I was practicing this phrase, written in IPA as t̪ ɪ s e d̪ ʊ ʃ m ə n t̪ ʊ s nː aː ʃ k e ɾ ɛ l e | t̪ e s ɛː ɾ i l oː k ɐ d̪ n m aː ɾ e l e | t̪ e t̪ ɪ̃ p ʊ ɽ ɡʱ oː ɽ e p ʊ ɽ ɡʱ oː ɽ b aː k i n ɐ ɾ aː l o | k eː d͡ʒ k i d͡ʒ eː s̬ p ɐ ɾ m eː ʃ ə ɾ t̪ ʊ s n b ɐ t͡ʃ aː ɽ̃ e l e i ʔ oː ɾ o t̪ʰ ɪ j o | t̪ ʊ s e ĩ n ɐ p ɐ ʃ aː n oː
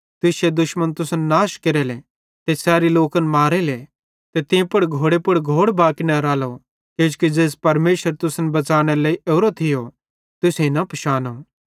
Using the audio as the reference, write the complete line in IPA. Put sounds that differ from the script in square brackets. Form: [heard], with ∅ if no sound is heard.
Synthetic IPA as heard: t̪ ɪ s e d̪ ʊ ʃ m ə n t̪ ʊ s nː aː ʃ k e ɾ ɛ l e | t̪ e s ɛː ɾ i l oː k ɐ [∅] n m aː ɾ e l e | t̪ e t̪ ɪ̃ p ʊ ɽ ɡʱ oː ɽ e p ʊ ɽ ɡʱ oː ɽ b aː k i n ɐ ɾ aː l o | k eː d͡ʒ k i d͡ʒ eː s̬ p ɐ ɾ m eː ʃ ə ɾ t̪ ʊ s n b ɐ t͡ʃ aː ɽ̃ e l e i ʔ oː ɾ o t̪ʰ ɪ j o | t̪ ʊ s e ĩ n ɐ p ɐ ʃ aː n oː

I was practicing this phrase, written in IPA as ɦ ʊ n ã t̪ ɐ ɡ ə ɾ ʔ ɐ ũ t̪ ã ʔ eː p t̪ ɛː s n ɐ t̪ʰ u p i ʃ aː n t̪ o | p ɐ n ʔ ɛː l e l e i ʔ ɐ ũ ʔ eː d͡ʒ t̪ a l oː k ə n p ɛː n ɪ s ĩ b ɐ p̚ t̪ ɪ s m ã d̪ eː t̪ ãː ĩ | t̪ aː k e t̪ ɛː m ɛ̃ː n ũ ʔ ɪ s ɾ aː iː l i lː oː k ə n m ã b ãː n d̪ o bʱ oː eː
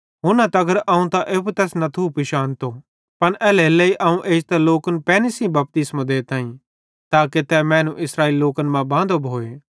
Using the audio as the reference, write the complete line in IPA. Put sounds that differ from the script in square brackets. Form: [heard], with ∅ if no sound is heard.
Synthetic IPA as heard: ɦ ʊ n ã t̪ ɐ ɡ ə ɾ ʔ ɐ ũ t̪ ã ʔ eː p t̪ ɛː s n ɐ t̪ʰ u p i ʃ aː n t̪ o | p ɐ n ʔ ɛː l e l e i ʔ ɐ ũ ʔ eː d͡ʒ t̪ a l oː k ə n p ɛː n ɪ s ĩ b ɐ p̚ t̪ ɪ s m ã d̪ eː t̪ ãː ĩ | t̪ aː k e t̪ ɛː m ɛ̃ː n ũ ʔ ɪ s ɾ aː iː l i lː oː k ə n m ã b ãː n d̪ o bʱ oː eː

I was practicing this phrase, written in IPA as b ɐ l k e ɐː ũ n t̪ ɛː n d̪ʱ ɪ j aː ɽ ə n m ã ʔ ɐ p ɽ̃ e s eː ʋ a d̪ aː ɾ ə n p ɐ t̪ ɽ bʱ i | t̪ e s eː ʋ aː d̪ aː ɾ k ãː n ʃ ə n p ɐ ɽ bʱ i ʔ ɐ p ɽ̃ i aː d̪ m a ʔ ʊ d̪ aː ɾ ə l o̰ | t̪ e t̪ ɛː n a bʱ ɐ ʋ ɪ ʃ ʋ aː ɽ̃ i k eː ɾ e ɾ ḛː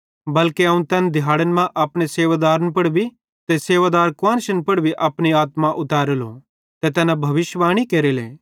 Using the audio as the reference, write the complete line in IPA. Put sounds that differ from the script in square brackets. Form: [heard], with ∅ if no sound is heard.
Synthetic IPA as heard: b ɐ l k e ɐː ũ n t̪ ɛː n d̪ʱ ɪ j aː ɽ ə n m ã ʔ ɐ p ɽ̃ e s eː ʋ a d̪ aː ɾ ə n p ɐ [∅] ɽ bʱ i | t̪ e s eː ʋ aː d̪ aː ɾ k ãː n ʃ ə n p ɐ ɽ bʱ i ʔ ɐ p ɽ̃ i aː [t̪] m a ʔ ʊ [t̪] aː ɾ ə l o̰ | t̪ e t̪ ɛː n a bʱ ɐ ʋ ɪ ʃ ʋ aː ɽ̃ i k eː ɾ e [l] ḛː

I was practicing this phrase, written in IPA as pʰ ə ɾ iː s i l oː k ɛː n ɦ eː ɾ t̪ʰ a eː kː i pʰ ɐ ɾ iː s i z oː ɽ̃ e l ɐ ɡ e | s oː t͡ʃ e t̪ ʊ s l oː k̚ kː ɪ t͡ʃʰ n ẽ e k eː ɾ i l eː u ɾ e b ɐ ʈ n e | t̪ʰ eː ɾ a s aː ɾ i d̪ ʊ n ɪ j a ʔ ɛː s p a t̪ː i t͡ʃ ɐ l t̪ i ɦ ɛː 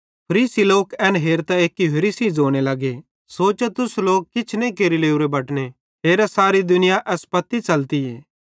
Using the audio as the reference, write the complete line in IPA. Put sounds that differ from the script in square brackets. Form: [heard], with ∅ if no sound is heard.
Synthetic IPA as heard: pʰ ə ɾ iː s i l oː k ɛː n ɦ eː ɾ [t̪] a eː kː i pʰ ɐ ɾ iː s i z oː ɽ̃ e l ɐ ɡ e | s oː t͡ʃ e t̪ ʊ s l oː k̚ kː ɪ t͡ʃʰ n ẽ [i] k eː ɾ i l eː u ɾ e b ɐ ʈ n e | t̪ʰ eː ɾ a s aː ɾ i d̪ ʊ n ɪ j a ʔ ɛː s p [ɐ] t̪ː i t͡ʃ ɐ l t̪ i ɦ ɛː

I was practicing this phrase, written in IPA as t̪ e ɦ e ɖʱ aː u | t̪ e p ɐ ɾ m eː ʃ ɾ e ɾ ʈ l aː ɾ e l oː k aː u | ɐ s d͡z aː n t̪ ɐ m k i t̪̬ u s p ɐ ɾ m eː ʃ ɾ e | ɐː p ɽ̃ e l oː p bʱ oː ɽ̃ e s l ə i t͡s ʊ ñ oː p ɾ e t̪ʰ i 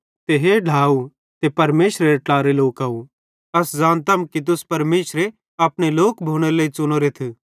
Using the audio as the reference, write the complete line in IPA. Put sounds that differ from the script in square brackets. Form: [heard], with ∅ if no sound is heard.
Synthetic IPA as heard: t̪ e ɦ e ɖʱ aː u | t̪ e p ɐ ɾ m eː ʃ ɾ e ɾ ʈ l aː ɾ e l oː k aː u | ɐ s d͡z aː n t̪ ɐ m k i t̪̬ [ʊ] s p ɐ ɾ m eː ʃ ɾ e | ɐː p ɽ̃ e l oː [k] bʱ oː ɽ̃ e [∅] l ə i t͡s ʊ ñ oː [∅] ɾ e t̪ʰ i

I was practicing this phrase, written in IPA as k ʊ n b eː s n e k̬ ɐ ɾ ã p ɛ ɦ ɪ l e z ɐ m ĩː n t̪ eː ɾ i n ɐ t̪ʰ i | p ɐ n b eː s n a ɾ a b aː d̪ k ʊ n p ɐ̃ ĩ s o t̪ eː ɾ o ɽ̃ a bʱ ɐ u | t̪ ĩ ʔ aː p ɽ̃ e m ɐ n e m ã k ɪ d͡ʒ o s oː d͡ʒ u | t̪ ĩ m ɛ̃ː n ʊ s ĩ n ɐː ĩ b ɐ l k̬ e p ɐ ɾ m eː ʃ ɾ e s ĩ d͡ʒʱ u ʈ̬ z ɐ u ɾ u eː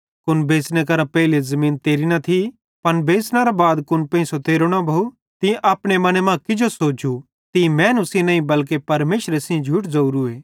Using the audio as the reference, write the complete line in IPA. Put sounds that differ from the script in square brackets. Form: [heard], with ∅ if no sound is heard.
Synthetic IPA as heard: k ʊ n b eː s n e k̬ ɐ ɾ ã p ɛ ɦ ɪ l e z ɐ m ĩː n t̪ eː ɾ i n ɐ t̪ʰ i | p ɐ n b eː s n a ɾ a b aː d̪ k ʊ n p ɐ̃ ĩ s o t̪ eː ɾ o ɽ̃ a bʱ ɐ u | t̪ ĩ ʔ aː p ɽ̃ e m ɐ n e m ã k ɪ d͡ʒ o s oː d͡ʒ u | t̪ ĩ m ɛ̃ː n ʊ s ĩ n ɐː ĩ b ɐ l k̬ e p ɐ ɾ m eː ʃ ɾ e s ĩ d͡ʒʱ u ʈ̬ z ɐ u ɾ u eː

